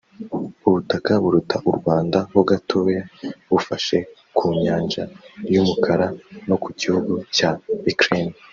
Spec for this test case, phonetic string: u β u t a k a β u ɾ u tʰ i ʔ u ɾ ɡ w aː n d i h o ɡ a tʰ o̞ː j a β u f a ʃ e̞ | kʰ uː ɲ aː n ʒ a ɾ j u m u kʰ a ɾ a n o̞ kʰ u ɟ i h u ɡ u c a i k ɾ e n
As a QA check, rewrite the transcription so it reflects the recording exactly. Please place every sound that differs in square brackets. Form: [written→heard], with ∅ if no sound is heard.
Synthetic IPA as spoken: u β u t a k a β u ɾ u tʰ [i→a] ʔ u ɾ ɡ w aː n d [i→a] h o ɡ a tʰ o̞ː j a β u f a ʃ e̞ | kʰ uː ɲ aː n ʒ a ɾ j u m u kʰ a ɾ a n o̞ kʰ u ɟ i h u ɡ u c a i k ɾ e n